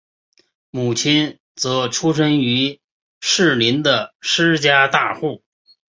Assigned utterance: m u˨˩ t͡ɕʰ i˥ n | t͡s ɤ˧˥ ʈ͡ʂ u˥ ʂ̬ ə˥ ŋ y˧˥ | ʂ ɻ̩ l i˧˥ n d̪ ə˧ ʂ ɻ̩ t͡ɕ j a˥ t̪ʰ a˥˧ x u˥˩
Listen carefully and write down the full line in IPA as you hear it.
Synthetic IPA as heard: m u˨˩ t͡ɕʰ i˥ n | t͡s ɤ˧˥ ʈ͡ʂʰ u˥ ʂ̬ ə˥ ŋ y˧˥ | ʂ ɻ̩ l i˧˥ n d̪ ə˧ ʂ ɻ̩ t͡ɕ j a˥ t̪ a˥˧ x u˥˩